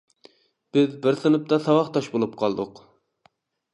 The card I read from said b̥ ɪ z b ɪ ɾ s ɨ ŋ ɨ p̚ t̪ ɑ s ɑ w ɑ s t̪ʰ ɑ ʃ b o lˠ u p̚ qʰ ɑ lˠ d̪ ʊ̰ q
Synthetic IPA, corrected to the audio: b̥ ɪ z b ɪ ɾ s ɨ n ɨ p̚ t̪ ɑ s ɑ w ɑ χ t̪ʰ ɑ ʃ b o lˠ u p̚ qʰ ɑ lˠ d̪ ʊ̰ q